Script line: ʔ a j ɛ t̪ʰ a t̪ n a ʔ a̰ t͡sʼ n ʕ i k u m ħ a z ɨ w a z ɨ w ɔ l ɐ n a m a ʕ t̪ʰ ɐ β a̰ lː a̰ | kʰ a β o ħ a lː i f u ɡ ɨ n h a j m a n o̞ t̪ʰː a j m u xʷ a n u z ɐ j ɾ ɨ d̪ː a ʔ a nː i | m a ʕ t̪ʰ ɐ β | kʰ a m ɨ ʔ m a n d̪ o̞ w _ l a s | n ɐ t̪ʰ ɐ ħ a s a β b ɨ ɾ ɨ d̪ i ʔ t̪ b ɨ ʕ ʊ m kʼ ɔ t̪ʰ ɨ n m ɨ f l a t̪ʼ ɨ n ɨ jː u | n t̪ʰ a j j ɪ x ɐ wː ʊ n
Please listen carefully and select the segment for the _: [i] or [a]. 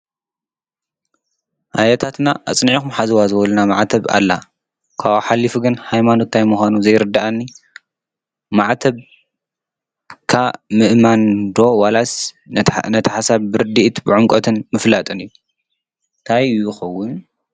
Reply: a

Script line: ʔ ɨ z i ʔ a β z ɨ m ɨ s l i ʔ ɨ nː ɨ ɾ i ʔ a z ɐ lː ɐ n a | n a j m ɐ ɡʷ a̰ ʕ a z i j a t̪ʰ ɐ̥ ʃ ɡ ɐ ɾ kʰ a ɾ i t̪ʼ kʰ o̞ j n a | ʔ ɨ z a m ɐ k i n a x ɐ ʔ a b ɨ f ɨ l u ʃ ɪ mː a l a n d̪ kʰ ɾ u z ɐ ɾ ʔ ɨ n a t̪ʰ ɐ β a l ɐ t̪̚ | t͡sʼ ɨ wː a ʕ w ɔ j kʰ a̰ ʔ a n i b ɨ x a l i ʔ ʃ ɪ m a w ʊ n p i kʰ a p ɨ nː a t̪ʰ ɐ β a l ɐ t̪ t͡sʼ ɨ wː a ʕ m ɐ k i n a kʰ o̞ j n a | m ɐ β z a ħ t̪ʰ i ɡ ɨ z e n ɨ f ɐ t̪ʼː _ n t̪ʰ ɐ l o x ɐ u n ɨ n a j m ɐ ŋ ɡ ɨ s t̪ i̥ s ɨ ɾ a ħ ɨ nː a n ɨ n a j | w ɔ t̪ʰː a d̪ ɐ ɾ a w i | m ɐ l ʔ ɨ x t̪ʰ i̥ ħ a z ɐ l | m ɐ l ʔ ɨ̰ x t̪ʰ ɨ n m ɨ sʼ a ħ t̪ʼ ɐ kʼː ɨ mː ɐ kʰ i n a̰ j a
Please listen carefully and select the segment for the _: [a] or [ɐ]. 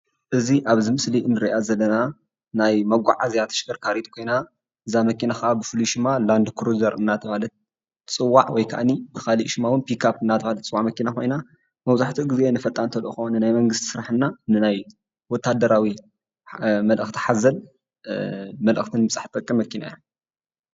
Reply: a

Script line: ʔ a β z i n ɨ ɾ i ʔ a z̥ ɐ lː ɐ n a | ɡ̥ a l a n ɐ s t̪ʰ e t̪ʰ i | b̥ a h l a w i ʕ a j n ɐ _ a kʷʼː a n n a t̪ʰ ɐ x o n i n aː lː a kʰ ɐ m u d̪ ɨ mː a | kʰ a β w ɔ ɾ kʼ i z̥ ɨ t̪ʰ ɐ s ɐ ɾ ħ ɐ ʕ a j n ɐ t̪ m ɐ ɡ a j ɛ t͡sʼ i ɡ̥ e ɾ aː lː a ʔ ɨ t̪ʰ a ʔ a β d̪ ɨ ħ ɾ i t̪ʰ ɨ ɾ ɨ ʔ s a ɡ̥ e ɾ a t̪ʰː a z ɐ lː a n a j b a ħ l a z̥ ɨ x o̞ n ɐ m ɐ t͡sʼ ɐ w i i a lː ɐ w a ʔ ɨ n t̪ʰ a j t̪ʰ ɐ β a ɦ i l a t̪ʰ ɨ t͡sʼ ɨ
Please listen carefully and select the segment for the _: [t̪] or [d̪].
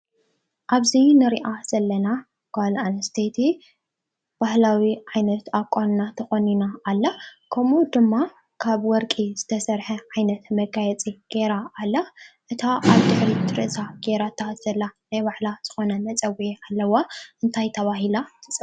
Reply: t̪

